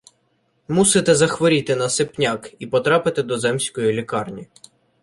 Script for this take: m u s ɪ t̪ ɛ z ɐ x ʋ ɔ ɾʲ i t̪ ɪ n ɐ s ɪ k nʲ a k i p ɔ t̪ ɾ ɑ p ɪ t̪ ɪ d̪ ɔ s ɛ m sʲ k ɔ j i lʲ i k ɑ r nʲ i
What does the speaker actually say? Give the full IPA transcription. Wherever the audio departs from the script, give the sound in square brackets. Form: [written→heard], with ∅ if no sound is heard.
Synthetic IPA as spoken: m u s ɪ t̪ ɛ z ɐ x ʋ ɔ ɾʲ i t̪ ɪ n ɐ s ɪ [k→p] nʲ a k i p ɔ t̪ ɾ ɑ p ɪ t̪ ɪ d̪ ɔ [s→z] ɛ m sʲ k ɔ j i lʲ i k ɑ r nʲ i